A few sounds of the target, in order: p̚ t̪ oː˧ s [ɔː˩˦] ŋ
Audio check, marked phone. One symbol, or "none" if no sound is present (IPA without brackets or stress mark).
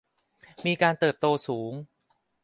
uː˩˦